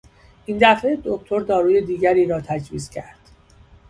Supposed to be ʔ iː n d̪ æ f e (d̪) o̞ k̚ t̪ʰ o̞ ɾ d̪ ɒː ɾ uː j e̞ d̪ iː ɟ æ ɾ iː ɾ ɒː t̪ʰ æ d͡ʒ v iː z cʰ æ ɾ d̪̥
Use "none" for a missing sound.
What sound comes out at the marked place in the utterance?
d̪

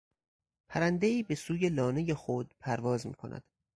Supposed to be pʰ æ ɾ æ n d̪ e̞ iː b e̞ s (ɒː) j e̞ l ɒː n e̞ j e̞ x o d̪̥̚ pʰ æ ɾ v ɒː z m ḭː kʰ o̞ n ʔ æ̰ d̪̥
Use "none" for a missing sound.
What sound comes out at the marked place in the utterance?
uː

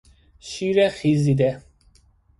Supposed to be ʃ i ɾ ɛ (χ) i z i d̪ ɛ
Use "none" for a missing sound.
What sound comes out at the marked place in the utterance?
χ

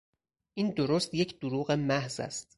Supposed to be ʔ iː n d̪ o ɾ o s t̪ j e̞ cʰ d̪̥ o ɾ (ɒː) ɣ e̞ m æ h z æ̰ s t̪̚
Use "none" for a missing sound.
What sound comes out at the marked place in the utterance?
uː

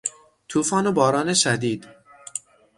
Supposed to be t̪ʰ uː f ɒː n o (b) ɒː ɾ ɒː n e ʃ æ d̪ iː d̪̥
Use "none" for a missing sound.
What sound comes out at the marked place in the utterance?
b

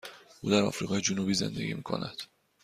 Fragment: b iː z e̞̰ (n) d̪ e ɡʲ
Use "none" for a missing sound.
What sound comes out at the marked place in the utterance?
n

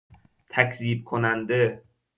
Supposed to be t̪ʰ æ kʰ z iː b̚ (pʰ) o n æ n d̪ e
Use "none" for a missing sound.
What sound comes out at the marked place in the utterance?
kʰ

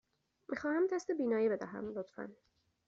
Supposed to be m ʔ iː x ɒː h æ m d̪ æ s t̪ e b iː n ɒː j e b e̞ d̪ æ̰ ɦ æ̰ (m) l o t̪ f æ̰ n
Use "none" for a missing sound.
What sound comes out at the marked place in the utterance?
m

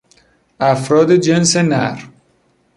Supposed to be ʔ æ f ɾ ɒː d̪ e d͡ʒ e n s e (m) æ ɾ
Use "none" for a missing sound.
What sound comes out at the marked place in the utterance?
n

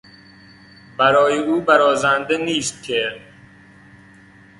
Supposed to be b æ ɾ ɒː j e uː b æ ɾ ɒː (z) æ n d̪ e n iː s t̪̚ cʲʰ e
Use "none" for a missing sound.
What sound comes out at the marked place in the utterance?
z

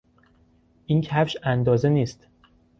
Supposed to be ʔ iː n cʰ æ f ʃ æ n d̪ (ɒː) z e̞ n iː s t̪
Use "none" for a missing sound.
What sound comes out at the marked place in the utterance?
ɒː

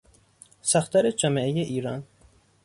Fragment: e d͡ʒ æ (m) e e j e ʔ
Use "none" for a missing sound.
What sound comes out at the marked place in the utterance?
m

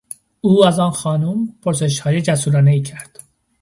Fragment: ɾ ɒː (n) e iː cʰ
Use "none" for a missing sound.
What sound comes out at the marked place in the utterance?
n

